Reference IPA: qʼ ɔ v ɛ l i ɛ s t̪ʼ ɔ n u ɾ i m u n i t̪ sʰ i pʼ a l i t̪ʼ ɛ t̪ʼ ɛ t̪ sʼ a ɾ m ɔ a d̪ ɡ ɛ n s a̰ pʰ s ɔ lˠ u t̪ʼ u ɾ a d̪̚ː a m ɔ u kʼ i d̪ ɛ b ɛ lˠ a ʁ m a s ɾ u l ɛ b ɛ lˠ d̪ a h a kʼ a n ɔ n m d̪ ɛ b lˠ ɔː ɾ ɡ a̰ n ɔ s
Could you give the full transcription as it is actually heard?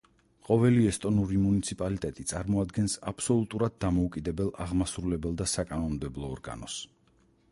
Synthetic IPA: qʼ ɔ v ɛ l i ɛ s t̪ʼ ɔ n u ɾ i m u n i t̪ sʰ i pʼ a l i t̪ʼ ɛ t̪ʼ i t̪ sʼ a ɾ m ɔ a d̪ ɡ ɛ n s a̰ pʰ s ɔ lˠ u t̪ʼ u ɾ a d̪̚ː a m ɔ u kʼ i d̪ ɛ b ɛ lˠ a ʁ m a s ɾ u l ɛ b ɛ lˠ d̪ a s a kʼ a n ɔ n m d̪ ɛ b lˠ ɔː ɾ ɡ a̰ n ɔ s